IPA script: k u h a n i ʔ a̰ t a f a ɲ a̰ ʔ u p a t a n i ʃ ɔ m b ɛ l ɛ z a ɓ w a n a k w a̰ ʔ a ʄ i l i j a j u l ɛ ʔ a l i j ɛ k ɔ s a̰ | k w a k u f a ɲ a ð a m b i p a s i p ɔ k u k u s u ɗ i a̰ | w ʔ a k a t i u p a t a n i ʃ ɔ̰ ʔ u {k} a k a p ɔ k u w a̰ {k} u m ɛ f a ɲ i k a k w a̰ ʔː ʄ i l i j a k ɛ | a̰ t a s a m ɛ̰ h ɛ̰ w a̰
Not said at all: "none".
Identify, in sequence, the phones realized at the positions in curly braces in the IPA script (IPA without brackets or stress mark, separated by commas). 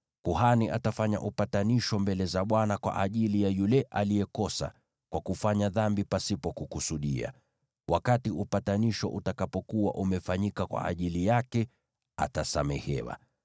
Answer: t, ʔ